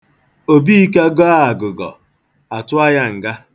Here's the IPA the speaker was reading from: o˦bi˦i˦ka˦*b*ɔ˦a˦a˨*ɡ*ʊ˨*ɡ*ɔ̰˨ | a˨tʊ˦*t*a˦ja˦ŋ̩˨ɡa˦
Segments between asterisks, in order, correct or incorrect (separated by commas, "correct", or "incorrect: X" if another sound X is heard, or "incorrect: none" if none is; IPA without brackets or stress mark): incorrect: ɡ, correct, correct, incorrect: none